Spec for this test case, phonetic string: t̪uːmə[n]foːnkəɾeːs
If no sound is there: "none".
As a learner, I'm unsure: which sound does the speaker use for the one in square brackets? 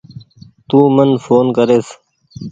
n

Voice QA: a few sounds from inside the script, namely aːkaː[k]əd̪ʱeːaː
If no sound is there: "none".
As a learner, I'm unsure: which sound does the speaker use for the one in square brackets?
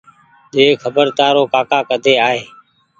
k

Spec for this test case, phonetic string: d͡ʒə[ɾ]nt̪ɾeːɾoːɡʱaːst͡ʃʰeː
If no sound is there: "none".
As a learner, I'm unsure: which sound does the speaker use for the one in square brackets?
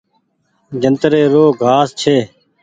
none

